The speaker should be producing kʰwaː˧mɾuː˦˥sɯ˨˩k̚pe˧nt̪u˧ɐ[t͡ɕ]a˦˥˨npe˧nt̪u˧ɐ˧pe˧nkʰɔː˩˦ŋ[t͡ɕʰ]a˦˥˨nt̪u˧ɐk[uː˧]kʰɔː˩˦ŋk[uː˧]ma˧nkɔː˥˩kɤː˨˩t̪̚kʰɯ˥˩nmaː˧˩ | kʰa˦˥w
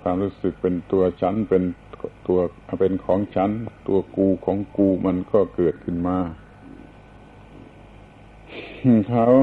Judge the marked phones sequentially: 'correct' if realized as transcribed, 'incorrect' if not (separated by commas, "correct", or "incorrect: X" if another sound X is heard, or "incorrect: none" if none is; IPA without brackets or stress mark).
incorrect: t͡ɕʰ, correct, correct, correct